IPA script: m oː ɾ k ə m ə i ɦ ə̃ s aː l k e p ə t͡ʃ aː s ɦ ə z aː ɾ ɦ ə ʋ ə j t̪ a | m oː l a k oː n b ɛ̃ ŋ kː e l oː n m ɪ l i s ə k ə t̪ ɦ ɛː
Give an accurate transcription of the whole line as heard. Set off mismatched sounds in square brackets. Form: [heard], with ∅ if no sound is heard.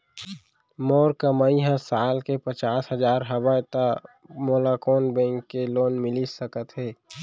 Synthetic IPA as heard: m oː ɾ k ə m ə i ɦ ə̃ s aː l k e p ə t͡ʃ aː s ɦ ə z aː ɾ ɦ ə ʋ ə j t̪ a | m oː l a k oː n b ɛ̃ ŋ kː e l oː n m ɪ l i s ə k ə t̪ ɦ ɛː